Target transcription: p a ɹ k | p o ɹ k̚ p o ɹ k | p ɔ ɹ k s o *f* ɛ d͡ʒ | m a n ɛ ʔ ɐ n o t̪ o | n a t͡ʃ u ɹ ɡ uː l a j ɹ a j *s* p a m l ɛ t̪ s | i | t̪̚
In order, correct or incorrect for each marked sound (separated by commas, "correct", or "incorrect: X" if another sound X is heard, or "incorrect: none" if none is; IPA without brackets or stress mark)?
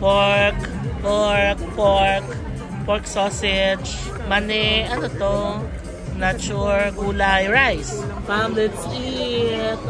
incorrect: s, correct